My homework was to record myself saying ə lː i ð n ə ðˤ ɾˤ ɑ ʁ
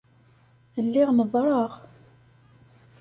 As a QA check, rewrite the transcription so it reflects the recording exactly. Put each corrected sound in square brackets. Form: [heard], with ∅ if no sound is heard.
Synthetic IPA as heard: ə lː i [ʁ] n ə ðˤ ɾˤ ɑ ʁ